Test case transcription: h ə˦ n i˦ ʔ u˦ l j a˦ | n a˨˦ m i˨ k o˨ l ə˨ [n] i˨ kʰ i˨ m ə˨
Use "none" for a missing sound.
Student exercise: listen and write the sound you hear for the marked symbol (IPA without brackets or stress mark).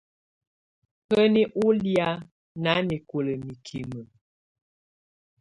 m